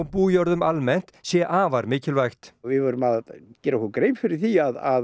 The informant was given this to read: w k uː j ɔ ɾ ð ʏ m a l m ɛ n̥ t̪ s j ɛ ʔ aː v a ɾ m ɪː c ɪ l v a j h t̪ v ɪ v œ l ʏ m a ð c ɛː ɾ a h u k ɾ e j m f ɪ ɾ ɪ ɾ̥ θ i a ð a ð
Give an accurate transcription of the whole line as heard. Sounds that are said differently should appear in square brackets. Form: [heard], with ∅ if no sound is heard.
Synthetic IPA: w [p] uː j ɔ ɾ ð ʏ m a l m ɛ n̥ t̪ s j ɛ ʔ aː v a ɾ m ɪː c ɪ l v a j [x] t̪ v ɪ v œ [ɾ] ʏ m a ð c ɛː ɾ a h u k ɾ e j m f ɪ ɾ ɪ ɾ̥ θ i a ð a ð